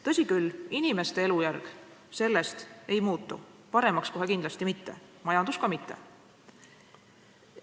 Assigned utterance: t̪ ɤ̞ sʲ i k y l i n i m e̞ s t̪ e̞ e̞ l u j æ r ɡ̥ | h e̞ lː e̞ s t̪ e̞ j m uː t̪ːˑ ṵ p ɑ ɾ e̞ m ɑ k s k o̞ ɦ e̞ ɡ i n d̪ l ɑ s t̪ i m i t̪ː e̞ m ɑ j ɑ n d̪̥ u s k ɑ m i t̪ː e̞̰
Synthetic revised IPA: t̪ ɤ̞ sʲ i k y l i n i m e̞ s t̪ e̞ e̞ l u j æ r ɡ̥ | s e̞ lː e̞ s t̪ e̞ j m uː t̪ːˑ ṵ p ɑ ɾ e̞ m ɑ k s k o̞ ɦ e̞ k i n d̪ l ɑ s t̪ i m i t̪ː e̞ m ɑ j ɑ n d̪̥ u s k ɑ m i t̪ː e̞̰

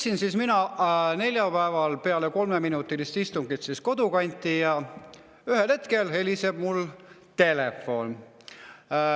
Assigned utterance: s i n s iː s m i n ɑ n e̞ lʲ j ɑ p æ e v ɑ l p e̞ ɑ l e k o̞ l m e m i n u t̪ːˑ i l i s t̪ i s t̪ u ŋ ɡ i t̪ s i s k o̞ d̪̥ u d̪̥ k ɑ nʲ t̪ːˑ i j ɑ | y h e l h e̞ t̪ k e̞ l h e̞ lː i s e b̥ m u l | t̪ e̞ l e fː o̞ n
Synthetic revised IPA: s i n s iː s m i n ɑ n e̞ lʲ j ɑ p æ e v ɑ l p e̞ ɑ l e k o̞ l m e m i n u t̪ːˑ i l i s t̪ i s t̪ u ŋ ɡ i t̪ s i s k o̞ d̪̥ u k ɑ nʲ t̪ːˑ i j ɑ | y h e l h e̞ t̪ k e̞ l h e̞ l i s e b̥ m u l | t̪ e̞ l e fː o̞ n

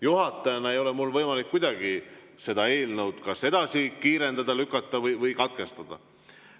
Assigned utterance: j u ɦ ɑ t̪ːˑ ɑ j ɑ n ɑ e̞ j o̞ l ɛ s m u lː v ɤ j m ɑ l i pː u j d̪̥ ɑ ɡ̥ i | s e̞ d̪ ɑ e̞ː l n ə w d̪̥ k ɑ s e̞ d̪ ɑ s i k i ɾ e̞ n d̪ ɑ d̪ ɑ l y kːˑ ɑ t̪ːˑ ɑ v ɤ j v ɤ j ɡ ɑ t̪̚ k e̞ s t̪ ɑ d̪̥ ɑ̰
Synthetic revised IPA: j u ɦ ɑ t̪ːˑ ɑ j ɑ n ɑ e̞ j o̞ l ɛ m u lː v ɤ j m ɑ l i kː u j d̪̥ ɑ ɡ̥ i | s e̞ d̪ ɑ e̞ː l n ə w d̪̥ k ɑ s e̞ d̪ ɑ s i k iː ɾ e̞ n d̪ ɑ d̪ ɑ l y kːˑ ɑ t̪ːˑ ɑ v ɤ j v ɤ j k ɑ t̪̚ k e̞ s t̪ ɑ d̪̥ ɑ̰

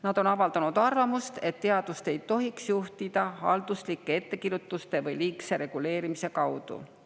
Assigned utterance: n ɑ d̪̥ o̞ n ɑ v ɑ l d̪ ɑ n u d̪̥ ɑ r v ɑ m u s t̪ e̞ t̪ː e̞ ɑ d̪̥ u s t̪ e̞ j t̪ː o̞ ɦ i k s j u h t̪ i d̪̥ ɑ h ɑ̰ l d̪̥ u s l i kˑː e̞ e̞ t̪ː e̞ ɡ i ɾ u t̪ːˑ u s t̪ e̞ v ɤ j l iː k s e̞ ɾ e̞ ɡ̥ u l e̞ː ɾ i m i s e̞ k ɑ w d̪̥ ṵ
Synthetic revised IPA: n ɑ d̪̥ o̞ n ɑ v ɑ l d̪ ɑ n u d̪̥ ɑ r v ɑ m u s t̪ e̞ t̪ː e̞ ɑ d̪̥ u s t̪ e̞ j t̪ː o̞ ɦ i k s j u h t̪ i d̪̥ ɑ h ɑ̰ l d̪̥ u s l i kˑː e̞ e̞ t̪ː e̞ k i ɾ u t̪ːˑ u s t̪ e̞ v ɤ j l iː k s e̞ ɾ e̞ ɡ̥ u l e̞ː ɾ i m i s e̞ k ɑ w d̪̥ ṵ

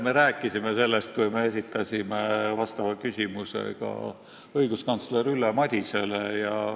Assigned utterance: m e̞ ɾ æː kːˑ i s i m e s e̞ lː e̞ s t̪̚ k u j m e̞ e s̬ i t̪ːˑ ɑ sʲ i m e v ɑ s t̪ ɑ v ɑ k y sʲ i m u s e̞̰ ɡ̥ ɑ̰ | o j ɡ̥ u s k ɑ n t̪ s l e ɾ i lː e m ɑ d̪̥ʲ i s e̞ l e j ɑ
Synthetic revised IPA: m e̞ ɾ æː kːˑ i s i m e s e̞ lː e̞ s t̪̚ k u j m e̞ e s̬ i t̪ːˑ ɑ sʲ i m e v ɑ s t̪ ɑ v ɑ k y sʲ i m u s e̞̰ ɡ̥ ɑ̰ | ɤ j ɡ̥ u s k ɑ n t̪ s l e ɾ y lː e m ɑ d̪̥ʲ i s e̞ l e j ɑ

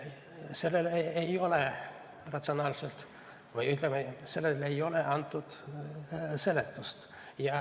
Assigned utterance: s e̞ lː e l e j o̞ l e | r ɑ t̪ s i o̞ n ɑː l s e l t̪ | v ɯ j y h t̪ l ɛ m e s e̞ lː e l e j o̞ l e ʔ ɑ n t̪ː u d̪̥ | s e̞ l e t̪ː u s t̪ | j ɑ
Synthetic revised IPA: s e̞ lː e l e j o̞ l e | r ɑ t̪ s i o̞ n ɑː l s e l t̪ | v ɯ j y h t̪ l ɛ m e s e̞ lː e l e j o̞ l e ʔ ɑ n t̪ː u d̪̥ | s e̞ l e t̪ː u s t̪ | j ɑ

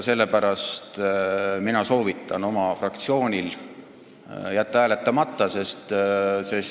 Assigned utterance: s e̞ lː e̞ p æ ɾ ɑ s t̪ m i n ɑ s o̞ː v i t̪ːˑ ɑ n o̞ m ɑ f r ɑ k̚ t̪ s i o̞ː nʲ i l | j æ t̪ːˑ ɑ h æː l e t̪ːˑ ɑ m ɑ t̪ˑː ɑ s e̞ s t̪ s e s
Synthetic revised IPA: s e̞ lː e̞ p æ ɾ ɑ s t̪ m i n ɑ s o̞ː v i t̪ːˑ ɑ n o̞ m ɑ f r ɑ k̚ t̪ s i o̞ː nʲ i l | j æ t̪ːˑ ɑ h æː l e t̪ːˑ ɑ m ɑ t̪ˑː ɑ s e̞ s t̪ s e s

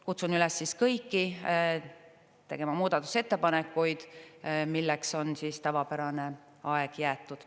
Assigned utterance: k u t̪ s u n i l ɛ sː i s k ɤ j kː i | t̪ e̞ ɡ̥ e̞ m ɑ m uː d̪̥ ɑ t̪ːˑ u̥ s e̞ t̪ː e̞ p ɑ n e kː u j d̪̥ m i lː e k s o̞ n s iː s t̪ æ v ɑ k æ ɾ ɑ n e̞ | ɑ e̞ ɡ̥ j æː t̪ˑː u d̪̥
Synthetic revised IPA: k u t̪ s u n y l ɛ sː i s k ɤ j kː i | t̪ e̞ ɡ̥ e̞ m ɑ m uː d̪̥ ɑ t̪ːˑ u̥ s e̞ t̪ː e̞ p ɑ n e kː u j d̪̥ m i lː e k s o̞ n s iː s t̪ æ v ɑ p æ ɾ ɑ n e̞ | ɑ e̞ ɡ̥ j æː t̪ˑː u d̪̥

